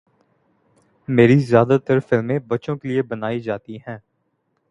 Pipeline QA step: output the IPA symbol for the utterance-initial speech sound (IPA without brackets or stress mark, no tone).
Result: m